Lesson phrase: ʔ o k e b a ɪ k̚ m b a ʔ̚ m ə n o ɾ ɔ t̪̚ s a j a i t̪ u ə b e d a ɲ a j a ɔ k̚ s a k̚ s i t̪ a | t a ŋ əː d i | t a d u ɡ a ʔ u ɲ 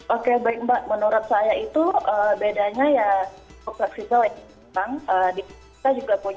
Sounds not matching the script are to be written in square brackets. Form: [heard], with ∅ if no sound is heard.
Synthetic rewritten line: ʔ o k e b a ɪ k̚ m b a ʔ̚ m ə n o ɾ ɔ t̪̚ s a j a i t̪ u ə b e d a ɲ a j a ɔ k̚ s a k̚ s i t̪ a | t a ŋ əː d i | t a [d͡ʒ] u ɡ a [p] u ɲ